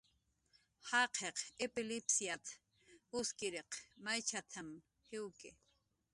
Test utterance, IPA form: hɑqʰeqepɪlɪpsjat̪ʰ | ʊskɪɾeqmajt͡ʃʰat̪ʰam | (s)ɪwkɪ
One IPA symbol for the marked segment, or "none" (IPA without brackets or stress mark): h